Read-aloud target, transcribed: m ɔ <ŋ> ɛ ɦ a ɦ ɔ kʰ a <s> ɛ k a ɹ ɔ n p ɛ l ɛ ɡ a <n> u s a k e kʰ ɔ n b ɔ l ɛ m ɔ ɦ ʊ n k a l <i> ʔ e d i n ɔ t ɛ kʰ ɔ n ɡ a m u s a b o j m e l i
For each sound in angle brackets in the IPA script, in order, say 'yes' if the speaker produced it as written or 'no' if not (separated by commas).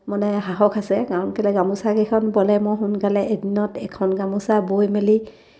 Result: no, yes, no, no